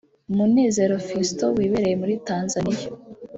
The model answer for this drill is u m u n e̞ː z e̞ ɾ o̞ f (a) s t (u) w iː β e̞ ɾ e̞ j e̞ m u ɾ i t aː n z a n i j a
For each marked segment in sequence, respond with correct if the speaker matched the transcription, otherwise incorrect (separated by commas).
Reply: incorrect, incorrect